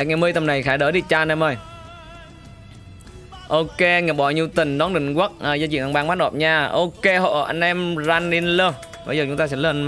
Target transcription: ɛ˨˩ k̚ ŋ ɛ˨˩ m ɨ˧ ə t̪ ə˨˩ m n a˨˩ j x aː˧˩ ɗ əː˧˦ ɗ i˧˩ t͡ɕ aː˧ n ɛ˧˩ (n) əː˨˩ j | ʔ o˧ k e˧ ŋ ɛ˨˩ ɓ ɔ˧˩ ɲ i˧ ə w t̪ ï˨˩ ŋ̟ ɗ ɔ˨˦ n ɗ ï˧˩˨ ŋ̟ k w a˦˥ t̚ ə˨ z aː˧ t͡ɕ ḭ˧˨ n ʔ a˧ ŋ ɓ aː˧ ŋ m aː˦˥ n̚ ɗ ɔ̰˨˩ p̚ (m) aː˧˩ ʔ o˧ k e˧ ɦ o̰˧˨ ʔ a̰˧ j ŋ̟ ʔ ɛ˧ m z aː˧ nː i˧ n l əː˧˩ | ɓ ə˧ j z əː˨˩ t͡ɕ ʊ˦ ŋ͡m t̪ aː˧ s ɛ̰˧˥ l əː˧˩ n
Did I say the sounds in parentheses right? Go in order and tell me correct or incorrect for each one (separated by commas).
incorrect, incorrect